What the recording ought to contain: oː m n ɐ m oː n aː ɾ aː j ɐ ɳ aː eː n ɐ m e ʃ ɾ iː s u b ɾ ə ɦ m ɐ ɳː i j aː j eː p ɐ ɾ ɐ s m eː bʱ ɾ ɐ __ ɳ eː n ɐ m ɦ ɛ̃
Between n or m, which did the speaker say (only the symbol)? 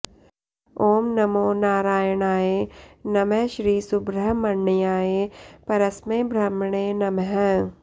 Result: m